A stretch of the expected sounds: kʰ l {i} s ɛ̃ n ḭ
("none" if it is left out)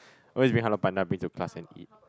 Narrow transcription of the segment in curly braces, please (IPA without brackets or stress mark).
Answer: a